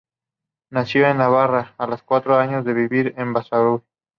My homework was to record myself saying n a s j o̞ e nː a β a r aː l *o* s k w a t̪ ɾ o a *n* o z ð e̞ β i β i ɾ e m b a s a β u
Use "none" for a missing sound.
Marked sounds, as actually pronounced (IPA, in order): o, ɲ

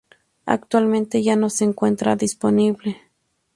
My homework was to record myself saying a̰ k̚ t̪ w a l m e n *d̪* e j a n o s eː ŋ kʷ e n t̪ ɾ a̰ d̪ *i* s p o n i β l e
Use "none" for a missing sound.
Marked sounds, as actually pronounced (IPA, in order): t̪, i

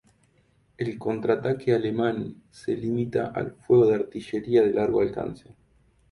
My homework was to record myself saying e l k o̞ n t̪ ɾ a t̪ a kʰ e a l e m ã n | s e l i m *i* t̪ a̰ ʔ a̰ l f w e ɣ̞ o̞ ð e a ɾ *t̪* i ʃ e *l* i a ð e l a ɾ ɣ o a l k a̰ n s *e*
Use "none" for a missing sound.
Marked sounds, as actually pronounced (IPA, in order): i, t̪, ɾ, e

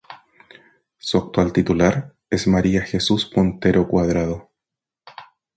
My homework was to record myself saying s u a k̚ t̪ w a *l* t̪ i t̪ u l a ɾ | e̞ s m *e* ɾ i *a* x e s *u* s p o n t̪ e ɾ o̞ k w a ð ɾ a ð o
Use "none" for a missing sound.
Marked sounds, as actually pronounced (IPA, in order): l, a, a, u

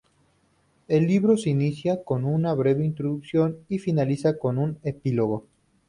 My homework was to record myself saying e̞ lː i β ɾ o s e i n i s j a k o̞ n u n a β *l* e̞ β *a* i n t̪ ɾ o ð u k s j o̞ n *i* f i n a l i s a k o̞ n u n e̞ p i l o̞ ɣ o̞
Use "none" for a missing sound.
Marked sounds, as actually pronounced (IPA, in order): ɾ, e, i

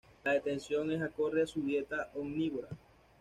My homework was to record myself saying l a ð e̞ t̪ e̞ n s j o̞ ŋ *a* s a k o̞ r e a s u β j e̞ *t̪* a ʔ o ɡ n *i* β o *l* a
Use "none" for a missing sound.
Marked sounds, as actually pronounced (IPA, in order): e, t̪, i, ɾ

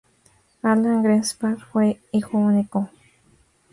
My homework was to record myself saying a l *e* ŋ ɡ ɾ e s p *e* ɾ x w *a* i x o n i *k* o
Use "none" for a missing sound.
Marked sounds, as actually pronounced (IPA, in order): a, a, e, k

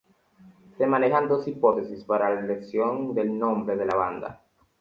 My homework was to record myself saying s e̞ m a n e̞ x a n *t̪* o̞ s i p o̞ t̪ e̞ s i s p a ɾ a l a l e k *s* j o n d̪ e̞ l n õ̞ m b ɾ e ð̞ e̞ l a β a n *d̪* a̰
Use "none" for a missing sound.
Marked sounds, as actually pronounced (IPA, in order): d̪, s, d̪

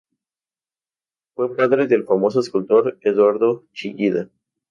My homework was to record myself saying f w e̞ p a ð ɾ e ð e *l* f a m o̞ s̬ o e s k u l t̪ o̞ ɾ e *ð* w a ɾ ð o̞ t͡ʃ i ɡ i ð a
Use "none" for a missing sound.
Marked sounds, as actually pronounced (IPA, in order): l, ð

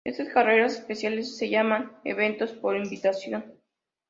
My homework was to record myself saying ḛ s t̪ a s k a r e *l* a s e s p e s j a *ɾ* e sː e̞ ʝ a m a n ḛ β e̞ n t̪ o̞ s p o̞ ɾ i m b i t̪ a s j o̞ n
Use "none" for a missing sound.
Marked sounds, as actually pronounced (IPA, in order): ɾ, l

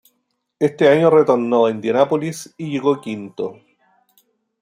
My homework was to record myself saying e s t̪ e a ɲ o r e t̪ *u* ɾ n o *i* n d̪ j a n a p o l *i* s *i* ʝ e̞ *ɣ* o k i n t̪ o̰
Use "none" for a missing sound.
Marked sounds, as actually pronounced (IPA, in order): o, e, i, i, ɣ

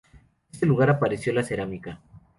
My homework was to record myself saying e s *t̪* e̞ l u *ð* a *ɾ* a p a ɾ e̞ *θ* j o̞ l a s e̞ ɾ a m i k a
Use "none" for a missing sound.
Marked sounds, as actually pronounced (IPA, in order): t̪, ɣ, ɾ, s

